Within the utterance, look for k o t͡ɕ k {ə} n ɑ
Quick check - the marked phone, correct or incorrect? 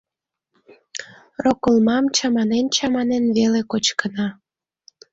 correct